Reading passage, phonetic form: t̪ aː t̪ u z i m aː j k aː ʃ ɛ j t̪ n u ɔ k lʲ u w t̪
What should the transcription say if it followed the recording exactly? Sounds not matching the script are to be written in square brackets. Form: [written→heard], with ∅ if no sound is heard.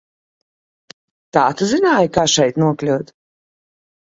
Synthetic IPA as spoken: t̪ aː t̪ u z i [m→n] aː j k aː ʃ ɛ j t̪ n u ɔ k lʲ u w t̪

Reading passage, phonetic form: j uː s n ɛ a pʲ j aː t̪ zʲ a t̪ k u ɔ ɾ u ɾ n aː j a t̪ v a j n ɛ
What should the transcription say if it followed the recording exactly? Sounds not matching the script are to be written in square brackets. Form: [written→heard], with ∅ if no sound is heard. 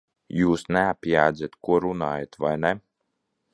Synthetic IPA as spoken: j uː s n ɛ a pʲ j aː [t̪→d̪] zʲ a t̪ k u ɔ ɾ u [ɾ→∅] n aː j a t̪ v a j n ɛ

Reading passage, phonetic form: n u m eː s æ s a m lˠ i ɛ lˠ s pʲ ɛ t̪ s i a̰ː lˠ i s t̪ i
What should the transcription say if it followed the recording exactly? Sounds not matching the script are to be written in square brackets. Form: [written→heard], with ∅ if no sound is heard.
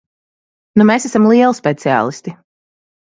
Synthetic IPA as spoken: n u m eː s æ s a m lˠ i ɛ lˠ s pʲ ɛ t̪ s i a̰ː lˠ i s t̪ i

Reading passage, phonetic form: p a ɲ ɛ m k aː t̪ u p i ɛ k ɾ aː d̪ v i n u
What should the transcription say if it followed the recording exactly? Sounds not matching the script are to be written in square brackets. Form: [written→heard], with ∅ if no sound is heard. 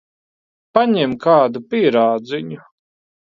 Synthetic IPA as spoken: p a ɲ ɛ m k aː [t̪→d̪] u p i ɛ [k→∅] ɾ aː d̪ [v→z] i [n→ɲ] u

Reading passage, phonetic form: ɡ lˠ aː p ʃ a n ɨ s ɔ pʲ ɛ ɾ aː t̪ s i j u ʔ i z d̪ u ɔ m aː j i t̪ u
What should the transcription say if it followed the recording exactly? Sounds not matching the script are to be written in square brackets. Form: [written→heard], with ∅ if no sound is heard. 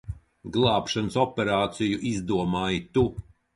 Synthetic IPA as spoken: ɡ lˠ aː p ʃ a n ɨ s ɔ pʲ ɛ ɾ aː t̪ s i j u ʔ i z d̪ u ɔ m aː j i t̪ u

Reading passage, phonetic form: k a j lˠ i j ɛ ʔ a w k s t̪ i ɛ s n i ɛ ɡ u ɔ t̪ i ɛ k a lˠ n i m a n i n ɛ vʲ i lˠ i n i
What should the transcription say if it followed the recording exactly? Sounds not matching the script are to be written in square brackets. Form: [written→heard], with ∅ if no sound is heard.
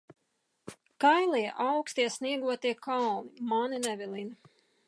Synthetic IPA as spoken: k a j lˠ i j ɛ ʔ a w k s t̪ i ɛ s n i ɛ ɡ u ɔ t̪ i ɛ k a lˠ n i m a n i n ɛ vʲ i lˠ i n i

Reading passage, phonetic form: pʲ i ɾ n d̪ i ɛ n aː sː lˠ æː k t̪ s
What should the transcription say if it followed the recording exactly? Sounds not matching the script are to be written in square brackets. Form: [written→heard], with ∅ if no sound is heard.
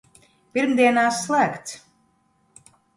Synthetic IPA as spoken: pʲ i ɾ [n→m] d̪ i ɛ n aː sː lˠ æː k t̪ s

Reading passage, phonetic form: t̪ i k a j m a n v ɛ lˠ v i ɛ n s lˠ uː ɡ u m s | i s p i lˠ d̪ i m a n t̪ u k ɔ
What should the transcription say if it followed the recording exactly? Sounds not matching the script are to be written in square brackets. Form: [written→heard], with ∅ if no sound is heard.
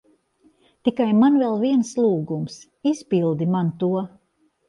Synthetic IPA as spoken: t̪ i k a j m a n v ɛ lˠ v i ɛ n s lˠ uː ɡ u m s | i s p i lˠ d̪ i m a n t̪ u [k→∅] ɔ

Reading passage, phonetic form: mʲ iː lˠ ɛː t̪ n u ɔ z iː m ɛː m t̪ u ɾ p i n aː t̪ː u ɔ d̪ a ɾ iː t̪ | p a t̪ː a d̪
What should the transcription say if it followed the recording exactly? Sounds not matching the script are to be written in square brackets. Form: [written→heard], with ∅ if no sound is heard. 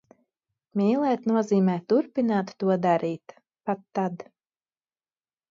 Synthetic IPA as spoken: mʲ iː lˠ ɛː t̪ n u ɔ z iː m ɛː [m→∅] t̪ u ɾ p i n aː t̪ː u ɔ d̪ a ɾ iː t̪ | p a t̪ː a d̪

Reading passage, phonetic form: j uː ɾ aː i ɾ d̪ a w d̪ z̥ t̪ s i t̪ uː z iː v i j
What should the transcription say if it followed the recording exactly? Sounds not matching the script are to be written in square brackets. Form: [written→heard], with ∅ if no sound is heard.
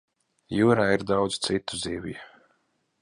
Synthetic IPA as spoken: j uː ɾ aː i ɾ d̪ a w d̪ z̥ t̪ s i t̪ [uː→u] z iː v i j

